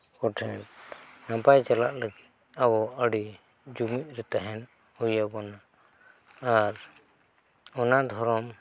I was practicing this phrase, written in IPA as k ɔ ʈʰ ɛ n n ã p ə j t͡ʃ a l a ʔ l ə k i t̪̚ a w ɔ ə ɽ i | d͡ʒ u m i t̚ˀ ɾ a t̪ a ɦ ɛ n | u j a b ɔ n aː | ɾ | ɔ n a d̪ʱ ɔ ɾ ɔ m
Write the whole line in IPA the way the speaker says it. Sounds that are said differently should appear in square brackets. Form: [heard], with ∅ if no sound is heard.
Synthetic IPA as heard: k ɔ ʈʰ ɛ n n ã p [a] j t͡ʃ a l a ʔ l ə [ɡ] i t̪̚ a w ɔ ə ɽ i | d͡ʒ u m i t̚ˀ ɾ [ɛ] t̪ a ɦ ɛ n | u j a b ɔ n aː | ɾ | ɔ n a d̪ʱ ɔ ɾ ɔ m